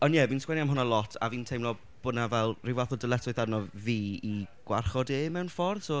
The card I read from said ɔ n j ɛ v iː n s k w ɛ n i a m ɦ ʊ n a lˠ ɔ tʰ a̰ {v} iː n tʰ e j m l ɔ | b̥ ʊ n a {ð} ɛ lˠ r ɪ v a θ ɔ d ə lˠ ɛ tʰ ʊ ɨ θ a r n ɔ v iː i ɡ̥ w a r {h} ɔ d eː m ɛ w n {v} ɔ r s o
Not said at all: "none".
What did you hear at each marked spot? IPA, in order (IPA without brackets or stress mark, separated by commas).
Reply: v, v, χ, f